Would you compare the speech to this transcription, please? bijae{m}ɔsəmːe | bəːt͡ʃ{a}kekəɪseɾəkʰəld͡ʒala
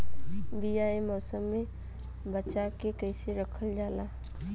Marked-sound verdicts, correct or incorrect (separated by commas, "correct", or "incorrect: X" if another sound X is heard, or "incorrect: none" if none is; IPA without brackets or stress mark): correct, correct